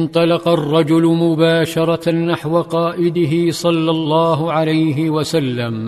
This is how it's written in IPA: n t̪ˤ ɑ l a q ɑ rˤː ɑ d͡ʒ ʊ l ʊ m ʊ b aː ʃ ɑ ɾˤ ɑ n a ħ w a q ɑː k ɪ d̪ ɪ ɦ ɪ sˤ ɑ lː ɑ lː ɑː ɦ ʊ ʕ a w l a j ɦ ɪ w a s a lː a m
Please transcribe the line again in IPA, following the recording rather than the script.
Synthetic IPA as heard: n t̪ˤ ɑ l ɑ q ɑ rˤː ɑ d͡ʒ ʊ l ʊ m ʊ b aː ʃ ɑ ɾˤ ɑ n a ħ w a q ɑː ʔ ɪ d̪ ɪ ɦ ɪ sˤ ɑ lː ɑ lː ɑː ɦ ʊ ʕ a l a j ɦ ɪ w a s a lː a m